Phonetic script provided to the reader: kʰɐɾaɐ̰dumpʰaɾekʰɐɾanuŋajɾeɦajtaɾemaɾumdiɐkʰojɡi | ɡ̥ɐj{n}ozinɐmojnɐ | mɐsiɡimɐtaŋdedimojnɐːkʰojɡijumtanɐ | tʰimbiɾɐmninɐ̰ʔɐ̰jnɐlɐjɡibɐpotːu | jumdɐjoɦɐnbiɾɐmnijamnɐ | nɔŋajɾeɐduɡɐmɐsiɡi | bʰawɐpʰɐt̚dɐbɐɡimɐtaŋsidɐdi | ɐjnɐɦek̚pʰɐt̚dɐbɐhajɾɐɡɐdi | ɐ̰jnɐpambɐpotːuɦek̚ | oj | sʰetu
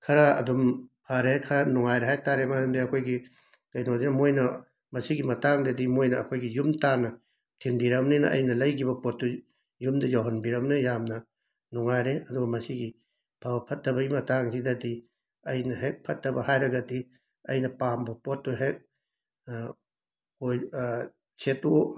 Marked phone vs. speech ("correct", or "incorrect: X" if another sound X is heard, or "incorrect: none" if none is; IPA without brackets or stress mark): correct